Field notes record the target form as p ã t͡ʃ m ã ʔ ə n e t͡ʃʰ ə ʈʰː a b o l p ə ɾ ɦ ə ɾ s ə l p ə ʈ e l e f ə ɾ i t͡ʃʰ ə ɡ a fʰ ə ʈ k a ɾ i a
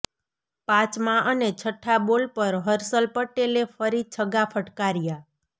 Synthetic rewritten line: p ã t͡ʃ m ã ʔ ə n e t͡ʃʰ ə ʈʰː a b o l p ə ɾ ɦ ə ɾ s ə l p ə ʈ e l e f ə ɾ i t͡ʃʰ ə ɡ a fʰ ə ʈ k a ɾ j a